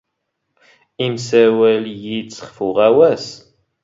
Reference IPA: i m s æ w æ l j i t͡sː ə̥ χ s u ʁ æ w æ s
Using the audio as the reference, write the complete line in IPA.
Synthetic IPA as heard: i m s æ w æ l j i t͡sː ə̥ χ f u ʁ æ w æ s